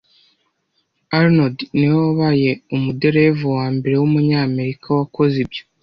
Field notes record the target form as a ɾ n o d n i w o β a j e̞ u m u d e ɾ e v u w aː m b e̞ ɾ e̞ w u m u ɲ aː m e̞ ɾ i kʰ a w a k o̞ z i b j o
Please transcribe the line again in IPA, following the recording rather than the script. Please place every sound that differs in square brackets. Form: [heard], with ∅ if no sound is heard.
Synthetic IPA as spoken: a ɾ n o d n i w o β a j e̞ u m u d e ɾ e v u w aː m b e̞ ɾ e̞ w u m u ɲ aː m e̞ ɾ i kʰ a w a k o̞ z i b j o